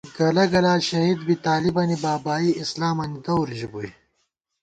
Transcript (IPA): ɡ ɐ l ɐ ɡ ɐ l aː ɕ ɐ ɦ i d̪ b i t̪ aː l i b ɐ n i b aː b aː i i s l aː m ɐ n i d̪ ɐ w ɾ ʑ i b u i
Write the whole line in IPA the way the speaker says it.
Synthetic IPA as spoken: ɡ ɐ l ɐ ɡ ɐ l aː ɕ ɐ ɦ i d̪ b i t̪ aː l i b ɐ n i b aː b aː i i s l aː m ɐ n i d̪ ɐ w ɾ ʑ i b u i